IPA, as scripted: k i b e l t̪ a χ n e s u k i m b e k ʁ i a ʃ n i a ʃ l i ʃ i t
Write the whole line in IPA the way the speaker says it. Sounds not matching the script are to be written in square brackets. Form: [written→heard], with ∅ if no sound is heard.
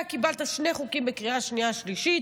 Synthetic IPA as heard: k i b [e→a] l t̪ a [χ→ʃ] n e [s→χ] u k i m b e k ʁ i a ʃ n i a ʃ l i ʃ i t